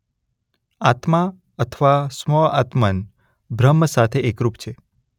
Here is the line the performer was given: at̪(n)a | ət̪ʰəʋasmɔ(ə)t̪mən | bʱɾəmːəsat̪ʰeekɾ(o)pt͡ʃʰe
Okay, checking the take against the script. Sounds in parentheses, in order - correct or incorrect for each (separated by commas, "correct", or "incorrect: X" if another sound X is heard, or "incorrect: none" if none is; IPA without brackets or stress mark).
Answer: incorrect: m, incorrect: a, incorrect: u